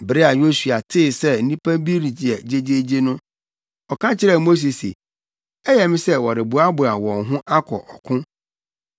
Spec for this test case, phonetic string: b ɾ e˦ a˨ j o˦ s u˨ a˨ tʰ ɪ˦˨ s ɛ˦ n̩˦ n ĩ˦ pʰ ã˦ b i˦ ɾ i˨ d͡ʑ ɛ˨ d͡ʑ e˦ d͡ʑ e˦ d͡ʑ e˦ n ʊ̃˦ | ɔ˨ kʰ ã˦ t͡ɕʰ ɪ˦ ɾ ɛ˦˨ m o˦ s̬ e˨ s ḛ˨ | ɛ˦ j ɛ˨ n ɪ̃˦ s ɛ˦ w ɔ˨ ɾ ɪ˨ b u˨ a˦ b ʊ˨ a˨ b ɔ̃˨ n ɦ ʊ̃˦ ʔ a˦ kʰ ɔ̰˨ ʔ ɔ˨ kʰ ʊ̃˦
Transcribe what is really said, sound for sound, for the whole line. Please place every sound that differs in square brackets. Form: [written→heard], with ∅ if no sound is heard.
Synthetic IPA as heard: b ɾ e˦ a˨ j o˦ s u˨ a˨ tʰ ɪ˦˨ s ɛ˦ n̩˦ n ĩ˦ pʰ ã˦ b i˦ ɾ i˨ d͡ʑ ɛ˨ d͡ʑ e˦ d͡ʑ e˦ d͡ʑ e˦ n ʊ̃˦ | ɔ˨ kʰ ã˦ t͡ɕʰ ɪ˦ ɾ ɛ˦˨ m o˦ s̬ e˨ s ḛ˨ | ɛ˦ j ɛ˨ [n→m] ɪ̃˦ s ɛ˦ w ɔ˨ ɾ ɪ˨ b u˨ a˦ b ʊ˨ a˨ [b→w] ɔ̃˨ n ɦ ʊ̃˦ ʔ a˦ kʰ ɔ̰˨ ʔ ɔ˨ kʰ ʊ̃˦

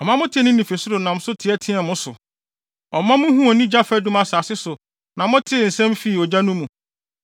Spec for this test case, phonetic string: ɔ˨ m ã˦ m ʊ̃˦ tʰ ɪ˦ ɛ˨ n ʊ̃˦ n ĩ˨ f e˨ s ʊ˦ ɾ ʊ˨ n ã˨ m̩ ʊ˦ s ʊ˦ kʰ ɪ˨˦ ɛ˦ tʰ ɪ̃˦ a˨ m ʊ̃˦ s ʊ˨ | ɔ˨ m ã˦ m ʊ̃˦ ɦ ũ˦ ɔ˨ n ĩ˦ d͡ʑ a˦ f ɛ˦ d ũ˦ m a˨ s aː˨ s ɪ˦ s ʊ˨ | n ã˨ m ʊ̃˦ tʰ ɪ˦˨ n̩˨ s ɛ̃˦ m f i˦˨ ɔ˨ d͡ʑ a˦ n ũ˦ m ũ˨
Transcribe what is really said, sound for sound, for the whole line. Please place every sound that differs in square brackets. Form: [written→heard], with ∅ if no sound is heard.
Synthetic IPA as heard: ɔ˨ m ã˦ m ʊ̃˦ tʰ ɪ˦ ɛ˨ n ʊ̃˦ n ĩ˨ f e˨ s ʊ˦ ɾ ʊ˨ n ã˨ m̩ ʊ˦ s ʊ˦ [kʰ→tʰ] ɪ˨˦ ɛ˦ tʰ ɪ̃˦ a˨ m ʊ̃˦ s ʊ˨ | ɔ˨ m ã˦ m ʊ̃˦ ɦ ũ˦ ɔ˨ n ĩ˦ d͡ʑ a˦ f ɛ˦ d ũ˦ m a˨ s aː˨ s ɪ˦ s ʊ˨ | n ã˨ m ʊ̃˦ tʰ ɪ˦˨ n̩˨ s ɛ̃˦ m f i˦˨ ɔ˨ d͡ʑ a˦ n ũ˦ m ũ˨

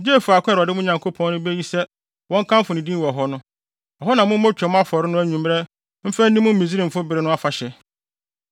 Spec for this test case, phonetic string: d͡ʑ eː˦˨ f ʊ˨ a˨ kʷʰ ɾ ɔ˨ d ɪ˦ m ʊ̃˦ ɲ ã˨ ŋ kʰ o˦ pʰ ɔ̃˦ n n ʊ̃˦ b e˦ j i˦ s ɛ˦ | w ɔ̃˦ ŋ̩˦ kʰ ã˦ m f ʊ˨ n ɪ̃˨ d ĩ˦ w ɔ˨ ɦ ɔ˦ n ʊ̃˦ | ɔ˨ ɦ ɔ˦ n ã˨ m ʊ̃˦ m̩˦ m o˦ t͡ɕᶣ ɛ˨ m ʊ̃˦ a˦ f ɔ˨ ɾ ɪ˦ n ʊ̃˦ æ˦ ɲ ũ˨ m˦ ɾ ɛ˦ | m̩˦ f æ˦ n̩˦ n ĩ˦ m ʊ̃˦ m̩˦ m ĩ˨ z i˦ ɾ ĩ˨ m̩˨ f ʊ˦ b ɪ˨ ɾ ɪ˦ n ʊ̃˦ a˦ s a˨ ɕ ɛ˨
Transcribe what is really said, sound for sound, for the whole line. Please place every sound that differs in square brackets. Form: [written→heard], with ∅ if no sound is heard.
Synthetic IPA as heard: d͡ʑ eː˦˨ f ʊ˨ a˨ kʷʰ ɾ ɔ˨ d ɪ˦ m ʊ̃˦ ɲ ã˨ ŋ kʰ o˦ pʰ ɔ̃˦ n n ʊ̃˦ b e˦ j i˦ s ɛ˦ | w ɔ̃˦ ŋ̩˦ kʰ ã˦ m f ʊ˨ n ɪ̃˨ d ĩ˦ w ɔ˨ ɦ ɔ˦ n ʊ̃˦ | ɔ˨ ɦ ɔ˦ n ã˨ m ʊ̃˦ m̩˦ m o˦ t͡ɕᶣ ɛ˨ m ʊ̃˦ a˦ f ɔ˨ ɾ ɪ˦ n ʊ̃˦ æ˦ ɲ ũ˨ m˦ ɾ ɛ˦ | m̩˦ f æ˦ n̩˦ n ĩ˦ m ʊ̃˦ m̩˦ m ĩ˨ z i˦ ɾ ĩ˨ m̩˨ f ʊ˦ b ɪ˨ ɾ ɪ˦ n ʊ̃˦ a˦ [s→f] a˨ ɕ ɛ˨

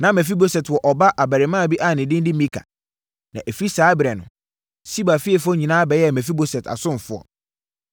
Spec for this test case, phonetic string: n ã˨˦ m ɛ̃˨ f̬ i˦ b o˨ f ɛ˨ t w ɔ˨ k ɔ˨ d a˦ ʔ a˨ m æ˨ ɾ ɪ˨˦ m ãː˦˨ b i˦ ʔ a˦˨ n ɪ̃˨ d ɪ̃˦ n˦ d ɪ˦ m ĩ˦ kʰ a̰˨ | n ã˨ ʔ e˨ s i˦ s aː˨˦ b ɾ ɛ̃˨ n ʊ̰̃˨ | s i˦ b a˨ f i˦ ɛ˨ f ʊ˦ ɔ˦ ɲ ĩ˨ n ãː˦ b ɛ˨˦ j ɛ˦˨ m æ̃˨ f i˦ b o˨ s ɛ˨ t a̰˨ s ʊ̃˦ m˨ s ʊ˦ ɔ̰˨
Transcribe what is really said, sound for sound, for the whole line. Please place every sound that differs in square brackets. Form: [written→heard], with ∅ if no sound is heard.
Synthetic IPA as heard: n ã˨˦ m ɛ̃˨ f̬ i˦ b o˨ [f→s] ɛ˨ t w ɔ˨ [k→ʔ] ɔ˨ [d→b] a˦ ʔ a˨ [m→b] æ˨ ɾ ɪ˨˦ m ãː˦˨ b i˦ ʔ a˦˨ n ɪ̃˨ d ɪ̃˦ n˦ d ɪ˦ m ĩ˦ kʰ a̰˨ | n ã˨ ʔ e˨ [s→f] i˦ s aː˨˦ b ɾ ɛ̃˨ n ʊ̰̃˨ | s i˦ b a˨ f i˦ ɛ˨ f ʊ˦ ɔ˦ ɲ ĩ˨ n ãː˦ b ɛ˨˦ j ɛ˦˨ m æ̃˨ f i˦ b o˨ s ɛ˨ t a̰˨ s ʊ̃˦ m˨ [s→f] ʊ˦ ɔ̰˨

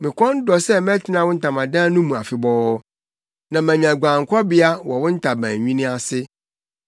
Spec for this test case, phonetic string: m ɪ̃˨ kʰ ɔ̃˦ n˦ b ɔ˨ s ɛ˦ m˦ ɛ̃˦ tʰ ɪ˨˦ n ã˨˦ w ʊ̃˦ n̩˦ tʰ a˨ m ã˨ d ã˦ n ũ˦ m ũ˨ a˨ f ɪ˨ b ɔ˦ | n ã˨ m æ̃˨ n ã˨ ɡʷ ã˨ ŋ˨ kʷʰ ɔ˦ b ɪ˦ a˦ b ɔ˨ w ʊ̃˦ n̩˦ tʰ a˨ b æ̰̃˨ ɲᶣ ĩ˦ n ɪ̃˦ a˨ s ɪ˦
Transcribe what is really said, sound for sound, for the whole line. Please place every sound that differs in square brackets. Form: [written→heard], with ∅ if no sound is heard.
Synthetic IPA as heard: m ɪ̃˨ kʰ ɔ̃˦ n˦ [b→d] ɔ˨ s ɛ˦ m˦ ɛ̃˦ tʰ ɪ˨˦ n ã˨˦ w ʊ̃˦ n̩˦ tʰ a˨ m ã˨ d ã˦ n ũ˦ m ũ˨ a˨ f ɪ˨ b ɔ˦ | n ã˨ m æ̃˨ [n→ɲ] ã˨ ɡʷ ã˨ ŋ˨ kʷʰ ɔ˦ b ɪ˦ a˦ [b→w] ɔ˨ w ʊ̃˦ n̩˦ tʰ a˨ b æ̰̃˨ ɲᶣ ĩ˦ n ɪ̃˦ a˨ s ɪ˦

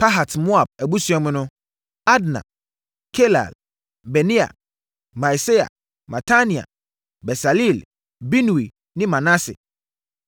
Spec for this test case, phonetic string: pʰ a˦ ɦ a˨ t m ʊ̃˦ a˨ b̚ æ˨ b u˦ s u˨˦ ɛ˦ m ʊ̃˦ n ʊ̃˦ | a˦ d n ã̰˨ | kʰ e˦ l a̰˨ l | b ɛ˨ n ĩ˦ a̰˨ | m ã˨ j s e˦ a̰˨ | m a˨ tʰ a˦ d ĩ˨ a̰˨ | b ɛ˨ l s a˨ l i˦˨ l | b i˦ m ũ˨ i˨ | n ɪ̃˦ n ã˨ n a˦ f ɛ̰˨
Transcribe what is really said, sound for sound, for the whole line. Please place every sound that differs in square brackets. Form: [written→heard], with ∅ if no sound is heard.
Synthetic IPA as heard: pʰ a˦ ɦ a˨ t m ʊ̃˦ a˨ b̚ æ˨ b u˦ s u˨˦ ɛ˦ m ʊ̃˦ n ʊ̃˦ | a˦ d n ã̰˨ | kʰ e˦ l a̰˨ l | b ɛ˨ n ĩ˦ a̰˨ | m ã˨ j s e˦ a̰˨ | m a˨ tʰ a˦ [d→n] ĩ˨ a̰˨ | b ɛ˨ [l→∅] s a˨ l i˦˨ l | b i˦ [m→n] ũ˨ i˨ | n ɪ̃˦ [n→m] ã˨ n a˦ [f→s] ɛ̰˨

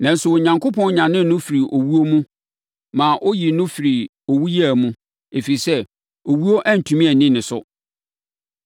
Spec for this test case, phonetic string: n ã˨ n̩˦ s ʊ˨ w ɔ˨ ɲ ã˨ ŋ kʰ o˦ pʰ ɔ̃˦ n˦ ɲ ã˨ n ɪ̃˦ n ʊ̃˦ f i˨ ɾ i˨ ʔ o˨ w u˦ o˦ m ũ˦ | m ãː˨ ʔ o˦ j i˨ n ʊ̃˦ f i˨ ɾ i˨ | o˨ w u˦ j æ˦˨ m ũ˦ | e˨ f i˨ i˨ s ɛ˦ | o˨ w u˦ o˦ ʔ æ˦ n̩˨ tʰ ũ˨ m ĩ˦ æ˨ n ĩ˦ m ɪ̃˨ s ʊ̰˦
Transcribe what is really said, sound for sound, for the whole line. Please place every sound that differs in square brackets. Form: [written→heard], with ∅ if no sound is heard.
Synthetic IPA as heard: n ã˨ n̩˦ s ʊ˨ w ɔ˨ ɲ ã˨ ŋ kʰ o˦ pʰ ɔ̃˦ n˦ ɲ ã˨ n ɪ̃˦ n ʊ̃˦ f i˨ ɾ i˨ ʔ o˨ w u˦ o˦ m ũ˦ | m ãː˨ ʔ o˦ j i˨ n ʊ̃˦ f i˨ ɾ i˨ | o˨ w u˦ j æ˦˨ m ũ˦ | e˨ f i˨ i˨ s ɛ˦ | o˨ w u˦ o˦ ʔ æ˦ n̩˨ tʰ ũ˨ m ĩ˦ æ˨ n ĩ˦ [m→n] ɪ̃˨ s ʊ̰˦

